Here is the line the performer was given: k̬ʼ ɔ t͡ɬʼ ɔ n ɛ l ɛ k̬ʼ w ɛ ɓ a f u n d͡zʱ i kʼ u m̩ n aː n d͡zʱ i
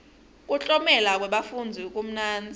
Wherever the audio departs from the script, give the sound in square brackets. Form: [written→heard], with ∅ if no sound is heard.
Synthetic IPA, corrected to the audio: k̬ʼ [ɔ→u] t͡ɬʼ ɔ [n→m] ɛ l [ɛ→a] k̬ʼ w ɛ ɓ a f u n d͡zʱ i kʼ u m̩ n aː n d͡zʱ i